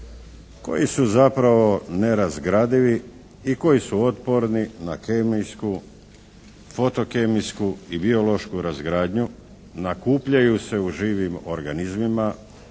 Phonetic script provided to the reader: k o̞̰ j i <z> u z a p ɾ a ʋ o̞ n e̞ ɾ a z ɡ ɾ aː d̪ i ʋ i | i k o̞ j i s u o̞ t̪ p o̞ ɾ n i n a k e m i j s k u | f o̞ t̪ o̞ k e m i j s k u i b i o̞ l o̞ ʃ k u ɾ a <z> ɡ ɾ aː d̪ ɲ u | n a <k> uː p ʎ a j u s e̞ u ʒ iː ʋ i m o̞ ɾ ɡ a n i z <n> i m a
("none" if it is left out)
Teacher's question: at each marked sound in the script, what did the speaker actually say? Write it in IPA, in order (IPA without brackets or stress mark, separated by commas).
s, z, k, m